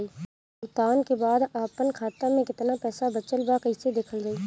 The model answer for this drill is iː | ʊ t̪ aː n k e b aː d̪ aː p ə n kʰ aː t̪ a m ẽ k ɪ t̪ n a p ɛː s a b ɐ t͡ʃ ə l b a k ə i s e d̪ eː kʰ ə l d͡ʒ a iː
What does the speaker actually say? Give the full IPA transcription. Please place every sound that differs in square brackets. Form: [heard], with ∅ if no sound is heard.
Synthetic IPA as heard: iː | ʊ t̪ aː n k e b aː d̪ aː p ə n kʰ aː t̪ a m ẽ k ɪ t̪ n a p ɛː s a b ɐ t͡ʃ ə l b a k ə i s e d̪ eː kʰ ə l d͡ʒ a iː